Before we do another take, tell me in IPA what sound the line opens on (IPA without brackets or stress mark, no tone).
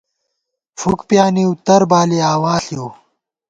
f